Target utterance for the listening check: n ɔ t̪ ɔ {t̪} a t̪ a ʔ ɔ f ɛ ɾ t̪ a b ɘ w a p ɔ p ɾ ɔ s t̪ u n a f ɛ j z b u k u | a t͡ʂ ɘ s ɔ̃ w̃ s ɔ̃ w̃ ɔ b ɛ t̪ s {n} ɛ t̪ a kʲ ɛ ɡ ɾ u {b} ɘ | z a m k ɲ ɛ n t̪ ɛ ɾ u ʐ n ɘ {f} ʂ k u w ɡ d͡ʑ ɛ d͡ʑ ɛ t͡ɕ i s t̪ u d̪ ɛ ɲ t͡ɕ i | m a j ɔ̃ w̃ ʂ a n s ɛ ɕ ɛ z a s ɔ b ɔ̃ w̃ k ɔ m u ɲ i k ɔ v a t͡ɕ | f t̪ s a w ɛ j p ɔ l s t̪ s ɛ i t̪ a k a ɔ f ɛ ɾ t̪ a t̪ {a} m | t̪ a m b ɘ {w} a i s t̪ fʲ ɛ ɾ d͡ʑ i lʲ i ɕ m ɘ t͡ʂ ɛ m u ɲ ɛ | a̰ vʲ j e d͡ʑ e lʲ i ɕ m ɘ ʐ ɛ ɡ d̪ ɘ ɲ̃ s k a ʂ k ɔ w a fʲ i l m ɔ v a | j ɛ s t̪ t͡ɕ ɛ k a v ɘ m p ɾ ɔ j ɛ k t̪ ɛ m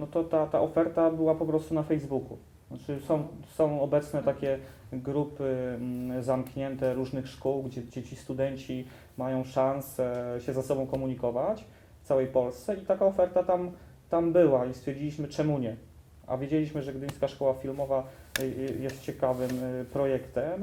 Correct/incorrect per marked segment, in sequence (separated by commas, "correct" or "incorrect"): correct, correct, incorrect, incorrect, correct, correct